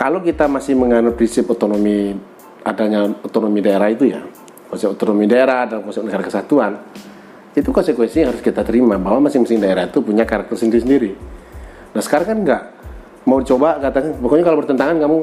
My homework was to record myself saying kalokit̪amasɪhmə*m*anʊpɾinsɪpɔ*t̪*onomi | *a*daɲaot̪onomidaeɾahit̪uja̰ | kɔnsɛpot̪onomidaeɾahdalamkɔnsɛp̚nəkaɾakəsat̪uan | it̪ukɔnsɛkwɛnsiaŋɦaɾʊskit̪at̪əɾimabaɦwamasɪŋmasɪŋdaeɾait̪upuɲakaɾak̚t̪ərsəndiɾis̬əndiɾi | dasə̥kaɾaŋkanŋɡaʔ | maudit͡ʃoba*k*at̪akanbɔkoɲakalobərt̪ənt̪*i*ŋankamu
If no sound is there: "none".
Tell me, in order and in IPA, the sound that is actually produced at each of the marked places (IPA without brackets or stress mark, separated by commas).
ŋ, t̪, a, k, a